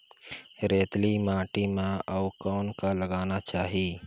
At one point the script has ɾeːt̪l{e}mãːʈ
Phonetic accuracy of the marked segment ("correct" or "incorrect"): incorrect